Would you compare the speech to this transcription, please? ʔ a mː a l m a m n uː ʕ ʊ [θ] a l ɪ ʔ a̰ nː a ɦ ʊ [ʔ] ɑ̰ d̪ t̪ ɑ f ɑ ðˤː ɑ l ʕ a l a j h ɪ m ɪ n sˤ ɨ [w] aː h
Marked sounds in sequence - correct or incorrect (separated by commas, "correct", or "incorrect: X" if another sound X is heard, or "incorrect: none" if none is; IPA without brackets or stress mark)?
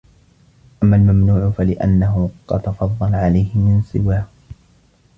incorrect: f, incorrect: q, correct